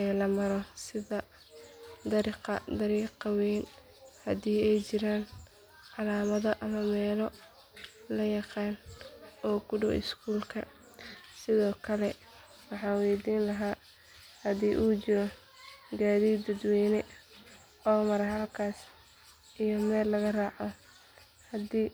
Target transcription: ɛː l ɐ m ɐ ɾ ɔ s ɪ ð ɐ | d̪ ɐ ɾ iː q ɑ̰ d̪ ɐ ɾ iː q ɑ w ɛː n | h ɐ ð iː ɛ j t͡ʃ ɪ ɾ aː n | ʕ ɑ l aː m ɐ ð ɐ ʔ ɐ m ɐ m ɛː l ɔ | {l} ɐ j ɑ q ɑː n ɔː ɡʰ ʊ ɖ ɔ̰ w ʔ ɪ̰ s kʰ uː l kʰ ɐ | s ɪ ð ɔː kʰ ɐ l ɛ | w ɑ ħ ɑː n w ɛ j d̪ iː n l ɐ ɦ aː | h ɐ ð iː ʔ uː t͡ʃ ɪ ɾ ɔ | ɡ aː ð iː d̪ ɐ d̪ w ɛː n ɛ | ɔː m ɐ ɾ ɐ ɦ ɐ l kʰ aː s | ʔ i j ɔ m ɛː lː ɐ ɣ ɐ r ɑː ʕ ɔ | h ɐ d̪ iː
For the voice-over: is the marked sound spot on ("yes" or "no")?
yes